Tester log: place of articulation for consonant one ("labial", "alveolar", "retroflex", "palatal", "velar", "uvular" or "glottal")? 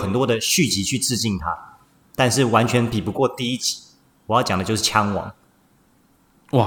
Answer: velar